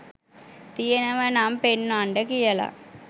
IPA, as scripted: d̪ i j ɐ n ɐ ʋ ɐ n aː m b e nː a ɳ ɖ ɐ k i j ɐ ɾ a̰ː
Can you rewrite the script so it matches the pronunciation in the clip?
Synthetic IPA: t̪ i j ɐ n ɐ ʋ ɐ n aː m p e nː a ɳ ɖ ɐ k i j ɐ l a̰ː